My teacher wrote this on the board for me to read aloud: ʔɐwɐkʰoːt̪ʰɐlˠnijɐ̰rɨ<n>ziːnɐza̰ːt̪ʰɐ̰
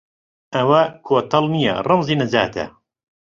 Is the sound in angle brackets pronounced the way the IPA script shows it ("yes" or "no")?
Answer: no